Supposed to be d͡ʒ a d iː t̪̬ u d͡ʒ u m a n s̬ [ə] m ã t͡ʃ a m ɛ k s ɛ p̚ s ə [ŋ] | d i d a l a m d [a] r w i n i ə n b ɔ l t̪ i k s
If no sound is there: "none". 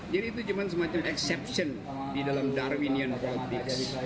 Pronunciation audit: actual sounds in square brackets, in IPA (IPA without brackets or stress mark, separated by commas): ə, n, a